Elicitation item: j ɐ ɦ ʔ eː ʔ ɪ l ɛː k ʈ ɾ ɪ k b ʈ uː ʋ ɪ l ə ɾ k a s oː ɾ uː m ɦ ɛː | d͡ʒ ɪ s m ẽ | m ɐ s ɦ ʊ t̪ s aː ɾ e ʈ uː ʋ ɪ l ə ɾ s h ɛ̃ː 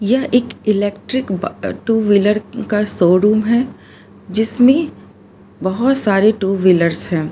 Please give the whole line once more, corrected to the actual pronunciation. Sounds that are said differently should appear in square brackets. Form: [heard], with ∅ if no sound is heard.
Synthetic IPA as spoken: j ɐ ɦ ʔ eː [k] ɪ l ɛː k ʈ ɾ ɪ k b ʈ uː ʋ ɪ l ə ɾ k a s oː ɾ uː m ɦ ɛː | d͡ʒ ɪ s m ẽ | [b] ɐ [∅] ɦ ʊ t̪ s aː ɾ e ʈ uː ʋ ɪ l ə ɾ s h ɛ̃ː